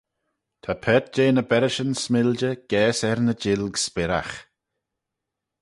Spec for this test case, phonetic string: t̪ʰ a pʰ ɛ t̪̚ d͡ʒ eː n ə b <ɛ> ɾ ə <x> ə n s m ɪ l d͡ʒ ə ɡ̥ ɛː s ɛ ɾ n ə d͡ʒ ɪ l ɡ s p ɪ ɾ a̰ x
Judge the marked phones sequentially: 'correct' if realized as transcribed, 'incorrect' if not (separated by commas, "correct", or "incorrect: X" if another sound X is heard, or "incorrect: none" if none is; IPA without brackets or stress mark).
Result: correct, incorrect: ʃ